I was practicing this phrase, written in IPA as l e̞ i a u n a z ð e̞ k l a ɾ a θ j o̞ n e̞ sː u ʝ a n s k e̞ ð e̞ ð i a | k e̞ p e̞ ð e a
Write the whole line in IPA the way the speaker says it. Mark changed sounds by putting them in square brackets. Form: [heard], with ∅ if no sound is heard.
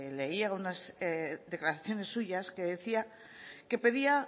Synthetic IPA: l e̞ i a u n a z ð e̞ k l a ɾ a θ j o̞ n e̞ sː u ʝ a [∅] s k e̞ ð e̞ [θ] i a | k e̞ p e̞ ð [i] a